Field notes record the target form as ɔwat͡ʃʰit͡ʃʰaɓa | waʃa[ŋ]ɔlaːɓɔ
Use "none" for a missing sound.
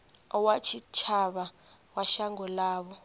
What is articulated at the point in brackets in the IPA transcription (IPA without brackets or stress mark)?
ŋ